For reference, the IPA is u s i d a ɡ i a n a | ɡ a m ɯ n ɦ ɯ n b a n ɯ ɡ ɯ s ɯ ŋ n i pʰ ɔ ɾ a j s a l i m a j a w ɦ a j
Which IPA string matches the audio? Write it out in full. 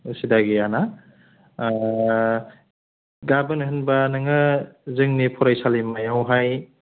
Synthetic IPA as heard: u s i d a ɡ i a n a | ɡ a b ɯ n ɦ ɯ n b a n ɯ ŋ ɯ z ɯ ŋ n i pʰ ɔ ɾ a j s a l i m a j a w ɦ a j